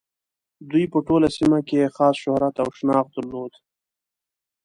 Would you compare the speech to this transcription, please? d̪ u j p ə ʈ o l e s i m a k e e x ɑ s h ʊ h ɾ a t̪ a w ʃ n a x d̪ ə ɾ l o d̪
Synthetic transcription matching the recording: d̪ u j p ə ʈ o l a s i m a k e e x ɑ s ʃ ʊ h ɾ a t̪ a w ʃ n ɑ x d̪ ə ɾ l o d̪